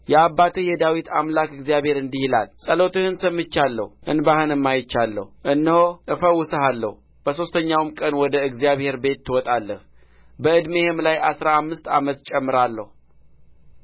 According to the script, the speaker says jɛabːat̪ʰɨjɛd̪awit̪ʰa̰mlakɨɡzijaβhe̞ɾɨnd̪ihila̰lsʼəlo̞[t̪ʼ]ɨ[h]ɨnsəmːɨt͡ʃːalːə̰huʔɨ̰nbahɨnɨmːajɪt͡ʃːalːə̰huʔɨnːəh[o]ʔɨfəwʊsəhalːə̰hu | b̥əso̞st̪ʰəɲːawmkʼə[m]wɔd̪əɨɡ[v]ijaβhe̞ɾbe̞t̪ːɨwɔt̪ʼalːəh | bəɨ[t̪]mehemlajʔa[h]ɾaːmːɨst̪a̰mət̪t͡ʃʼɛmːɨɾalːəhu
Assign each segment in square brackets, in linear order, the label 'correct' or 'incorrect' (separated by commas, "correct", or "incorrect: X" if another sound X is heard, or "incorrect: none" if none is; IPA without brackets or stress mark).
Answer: incorrect: t̪, correct, correct, incorrect: n, incorrect: z, incorrect: d̪, incorrect: s